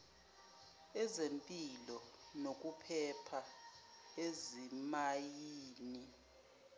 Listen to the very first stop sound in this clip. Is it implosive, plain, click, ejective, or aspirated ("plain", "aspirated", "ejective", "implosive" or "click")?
ejective